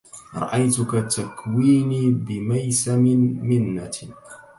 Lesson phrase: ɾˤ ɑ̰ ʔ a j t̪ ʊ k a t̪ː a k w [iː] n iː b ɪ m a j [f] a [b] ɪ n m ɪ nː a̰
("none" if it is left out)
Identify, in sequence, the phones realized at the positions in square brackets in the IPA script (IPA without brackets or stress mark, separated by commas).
iː, s, m